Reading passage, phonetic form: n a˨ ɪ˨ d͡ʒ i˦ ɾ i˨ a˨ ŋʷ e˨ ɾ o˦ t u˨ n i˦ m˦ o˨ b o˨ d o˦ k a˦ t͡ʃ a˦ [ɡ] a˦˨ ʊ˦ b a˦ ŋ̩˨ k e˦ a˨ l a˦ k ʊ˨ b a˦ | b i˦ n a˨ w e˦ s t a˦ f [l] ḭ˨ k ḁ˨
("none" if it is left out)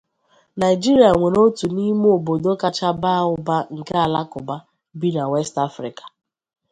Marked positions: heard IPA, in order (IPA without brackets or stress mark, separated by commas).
b, ɾ